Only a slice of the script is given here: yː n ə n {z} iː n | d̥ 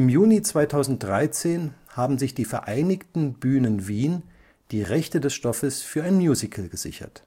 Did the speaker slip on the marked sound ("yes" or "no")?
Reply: yes